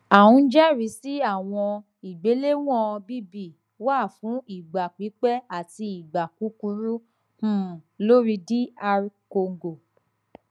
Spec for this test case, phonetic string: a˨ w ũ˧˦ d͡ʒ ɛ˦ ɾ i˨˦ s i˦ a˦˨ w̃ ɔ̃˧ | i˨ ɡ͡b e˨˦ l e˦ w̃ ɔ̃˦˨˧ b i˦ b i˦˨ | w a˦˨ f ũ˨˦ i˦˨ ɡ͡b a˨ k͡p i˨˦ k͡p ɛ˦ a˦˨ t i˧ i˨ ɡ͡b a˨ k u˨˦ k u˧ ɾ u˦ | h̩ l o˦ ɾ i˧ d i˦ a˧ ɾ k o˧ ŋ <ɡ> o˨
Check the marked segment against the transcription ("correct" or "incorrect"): correct